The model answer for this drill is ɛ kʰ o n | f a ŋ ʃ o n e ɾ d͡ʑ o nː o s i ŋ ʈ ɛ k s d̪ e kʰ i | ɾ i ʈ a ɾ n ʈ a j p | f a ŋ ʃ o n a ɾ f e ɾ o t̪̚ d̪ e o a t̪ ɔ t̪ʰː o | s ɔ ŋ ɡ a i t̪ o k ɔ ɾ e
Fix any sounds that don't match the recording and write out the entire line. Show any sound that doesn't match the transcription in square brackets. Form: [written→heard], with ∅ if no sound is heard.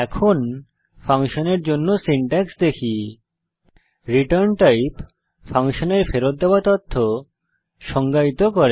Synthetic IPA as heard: ɛ kʰ o n | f a ŋ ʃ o n e ɾ d͡ʑ o nː o s i [ŋ→ɳ] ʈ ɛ k s d̪ e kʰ i | ɾ i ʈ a ɾ n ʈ a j p | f a ŋ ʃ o n [a→e] ɾ f e ɾ o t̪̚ d̪ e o a t̪ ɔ t̪ʰː o | [s→ʃ] ɔ ŋ ɡ a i t̪ o k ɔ ɾ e

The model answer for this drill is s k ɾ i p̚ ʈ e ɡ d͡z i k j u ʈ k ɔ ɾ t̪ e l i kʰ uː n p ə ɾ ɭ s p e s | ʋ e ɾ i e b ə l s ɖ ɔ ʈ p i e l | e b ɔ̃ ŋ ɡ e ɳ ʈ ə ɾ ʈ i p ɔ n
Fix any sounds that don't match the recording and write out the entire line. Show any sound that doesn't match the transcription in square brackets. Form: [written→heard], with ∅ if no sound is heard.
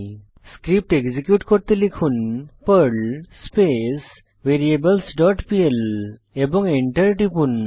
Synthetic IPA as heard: s k ɾ i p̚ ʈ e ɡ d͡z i k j u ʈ k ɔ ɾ t̪ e l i kʰ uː n p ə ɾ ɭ s p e s | ʋ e ɾ i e b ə l s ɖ ɔ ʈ p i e l | e b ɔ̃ ŋ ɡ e ɳ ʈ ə ɾ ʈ i p [ɔ→u] n

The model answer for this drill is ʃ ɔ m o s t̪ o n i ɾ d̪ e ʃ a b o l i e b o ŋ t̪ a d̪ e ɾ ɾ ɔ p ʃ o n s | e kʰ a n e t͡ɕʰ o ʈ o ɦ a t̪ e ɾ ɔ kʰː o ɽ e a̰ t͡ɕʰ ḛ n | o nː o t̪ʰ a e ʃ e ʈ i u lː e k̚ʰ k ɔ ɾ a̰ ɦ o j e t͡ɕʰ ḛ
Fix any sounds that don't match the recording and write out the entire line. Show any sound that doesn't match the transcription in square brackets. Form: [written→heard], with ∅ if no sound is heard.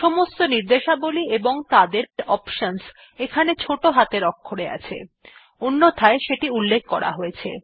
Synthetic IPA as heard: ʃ ɔ m o s t̪ o n i ɾ d̪ e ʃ a b o l i e b o ŋ t̪ a d̪ e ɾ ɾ ɔ p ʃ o n s | e kʰ a n e t͡ɕʰ o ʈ o ɦ a t̪ e ɾ ɔ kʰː o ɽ e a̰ t͡ɕʰ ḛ [n→∅] | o nː o t̪ʰ a e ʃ e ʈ i u lː e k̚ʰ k ɔ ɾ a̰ ɦ o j e t͡ɕʰ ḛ

